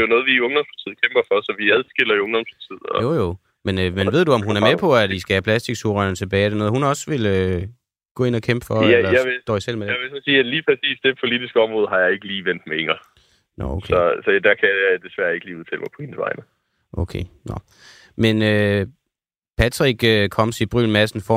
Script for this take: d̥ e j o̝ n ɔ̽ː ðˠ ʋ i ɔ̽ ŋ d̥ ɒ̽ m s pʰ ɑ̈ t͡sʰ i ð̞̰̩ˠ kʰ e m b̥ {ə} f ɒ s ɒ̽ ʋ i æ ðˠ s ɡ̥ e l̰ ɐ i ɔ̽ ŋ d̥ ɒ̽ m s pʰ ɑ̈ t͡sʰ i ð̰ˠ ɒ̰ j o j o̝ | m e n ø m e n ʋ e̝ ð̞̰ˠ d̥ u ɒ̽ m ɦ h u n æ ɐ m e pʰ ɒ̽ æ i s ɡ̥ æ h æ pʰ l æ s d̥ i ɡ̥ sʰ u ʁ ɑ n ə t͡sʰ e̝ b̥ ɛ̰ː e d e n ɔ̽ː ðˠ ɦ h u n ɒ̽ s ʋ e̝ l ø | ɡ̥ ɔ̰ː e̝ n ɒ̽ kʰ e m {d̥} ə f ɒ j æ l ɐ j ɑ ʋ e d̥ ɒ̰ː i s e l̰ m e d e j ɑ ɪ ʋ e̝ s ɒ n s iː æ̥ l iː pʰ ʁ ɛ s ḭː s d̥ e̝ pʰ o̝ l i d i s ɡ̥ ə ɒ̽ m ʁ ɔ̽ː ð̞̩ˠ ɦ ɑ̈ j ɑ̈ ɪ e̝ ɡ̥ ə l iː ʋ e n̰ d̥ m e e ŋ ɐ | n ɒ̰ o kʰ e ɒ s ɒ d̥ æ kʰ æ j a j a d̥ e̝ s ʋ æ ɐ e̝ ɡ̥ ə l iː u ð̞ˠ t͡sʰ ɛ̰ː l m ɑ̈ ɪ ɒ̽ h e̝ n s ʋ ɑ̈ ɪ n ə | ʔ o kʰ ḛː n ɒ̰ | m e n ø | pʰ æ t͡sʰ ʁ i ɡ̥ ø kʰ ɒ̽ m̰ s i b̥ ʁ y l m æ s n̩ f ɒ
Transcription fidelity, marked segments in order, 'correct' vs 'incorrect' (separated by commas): incorrect, incorrect